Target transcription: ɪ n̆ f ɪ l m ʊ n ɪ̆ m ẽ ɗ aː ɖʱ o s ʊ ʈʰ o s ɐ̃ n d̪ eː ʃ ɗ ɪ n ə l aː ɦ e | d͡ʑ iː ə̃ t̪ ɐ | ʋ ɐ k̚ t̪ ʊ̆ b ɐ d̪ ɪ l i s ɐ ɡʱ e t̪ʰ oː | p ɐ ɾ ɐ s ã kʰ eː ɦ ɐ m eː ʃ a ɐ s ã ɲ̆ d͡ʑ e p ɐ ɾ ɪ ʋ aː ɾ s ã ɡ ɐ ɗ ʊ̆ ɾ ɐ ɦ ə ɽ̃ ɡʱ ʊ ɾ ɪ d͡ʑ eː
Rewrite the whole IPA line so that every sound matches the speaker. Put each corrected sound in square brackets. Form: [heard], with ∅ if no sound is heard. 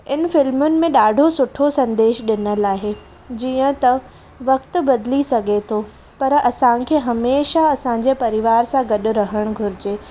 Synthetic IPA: ɪ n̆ f ɪ l m ʊ n ɪ̆ m ẽ ɗ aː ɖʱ o s ʊ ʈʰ o s ɐ̃ n d̪ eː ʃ ɗ ɪ n ə l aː ɦ e | d͡ʑ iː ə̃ t̪ ɐ | ʋ ɐ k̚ t̪ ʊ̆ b ɐ d̪ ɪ l i s ɐ ɡʱ e t̪ʰ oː | p ɐ ɾ ɐ s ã kʰ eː ɦ ɐ m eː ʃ a ɐ s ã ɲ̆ d͡ʑ e p ɐ ɾ ɪ ʋ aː ɾ s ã ɡ ɐ ɗ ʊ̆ ɾ ɐ ɦ ə ɽ̃ ɡʱ ʊ ɾ ɪ d͡ʑ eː